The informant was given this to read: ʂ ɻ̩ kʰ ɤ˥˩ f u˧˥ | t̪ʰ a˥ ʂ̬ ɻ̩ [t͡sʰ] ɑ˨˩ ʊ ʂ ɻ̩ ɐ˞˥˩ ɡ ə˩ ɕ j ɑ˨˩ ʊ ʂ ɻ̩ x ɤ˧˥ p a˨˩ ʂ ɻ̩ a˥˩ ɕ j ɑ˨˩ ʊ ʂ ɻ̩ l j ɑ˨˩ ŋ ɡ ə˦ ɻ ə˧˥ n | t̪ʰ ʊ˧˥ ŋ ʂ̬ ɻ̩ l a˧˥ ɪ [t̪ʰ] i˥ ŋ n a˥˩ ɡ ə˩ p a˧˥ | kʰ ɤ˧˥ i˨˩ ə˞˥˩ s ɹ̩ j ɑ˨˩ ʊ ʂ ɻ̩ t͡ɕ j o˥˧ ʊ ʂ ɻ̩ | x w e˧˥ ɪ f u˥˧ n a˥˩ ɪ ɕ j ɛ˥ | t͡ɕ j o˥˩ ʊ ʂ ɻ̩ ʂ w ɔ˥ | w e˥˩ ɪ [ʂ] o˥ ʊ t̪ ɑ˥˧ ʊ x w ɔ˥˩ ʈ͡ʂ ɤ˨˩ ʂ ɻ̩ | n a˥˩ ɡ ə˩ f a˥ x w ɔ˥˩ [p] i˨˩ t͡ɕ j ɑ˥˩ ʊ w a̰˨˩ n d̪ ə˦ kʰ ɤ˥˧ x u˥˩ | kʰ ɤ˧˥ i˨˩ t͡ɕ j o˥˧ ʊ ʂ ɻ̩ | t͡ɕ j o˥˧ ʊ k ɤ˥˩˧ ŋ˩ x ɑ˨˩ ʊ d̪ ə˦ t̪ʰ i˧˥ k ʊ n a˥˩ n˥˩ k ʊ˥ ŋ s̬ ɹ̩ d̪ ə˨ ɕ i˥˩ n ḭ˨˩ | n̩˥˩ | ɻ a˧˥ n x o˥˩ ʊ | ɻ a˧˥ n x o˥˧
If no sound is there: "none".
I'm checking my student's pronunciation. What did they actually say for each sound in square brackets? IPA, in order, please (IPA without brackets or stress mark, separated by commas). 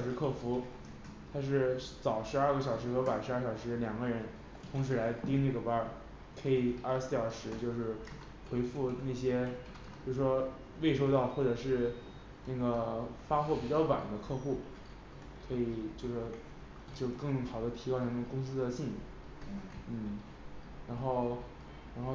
t͡s, t̪, ʂ, p